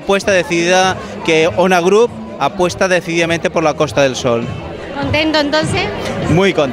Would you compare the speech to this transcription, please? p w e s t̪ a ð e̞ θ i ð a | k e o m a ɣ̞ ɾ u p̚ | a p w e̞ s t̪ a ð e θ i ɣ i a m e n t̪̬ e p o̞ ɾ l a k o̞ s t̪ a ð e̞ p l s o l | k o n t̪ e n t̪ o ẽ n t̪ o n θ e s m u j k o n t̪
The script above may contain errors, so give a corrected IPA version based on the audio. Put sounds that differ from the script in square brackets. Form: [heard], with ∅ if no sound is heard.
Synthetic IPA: p w e s t̪ a ð e̞ θ i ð a | k e o [n] a ɣ̞ ɾ u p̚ | a p w e̞ s t̪ a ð e θ i [ð] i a m e n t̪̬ e p o̞ ɾ l a k o̞ s t̪ a ð e̞ [∅] l s o l | k o n t̪ e n t̪ o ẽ n t̪ o n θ e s m u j k o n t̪